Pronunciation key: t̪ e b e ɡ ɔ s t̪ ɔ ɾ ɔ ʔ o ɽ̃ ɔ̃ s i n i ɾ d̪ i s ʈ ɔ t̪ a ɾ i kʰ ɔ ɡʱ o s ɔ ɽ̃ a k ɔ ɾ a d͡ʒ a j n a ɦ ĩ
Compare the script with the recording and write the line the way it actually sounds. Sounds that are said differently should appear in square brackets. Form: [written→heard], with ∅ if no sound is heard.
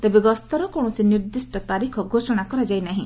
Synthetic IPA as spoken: t̪ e b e ɡ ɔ s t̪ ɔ ɾ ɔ [ʔ→k] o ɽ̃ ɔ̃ s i n i ɾ d̪ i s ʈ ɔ t̪ a ɾ i kʰ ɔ ɡʱ o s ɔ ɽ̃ a k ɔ ɾ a d͡ʒ a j n a ɦ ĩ